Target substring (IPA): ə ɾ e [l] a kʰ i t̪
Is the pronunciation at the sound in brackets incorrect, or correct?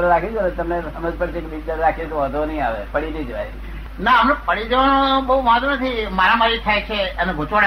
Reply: incorrect